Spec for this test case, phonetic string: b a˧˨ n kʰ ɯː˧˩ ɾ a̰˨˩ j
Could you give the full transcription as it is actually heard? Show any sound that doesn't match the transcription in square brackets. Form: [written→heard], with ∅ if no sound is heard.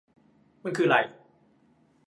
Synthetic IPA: [b→m] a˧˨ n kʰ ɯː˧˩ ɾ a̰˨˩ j